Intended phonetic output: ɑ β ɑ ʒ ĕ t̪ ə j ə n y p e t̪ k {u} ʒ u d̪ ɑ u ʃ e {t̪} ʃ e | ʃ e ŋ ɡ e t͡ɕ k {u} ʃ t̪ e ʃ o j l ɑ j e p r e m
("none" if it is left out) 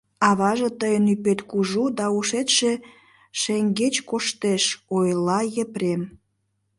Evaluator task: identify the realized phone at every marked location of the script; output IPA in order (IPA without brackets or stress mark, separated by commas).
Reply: u, t̪, o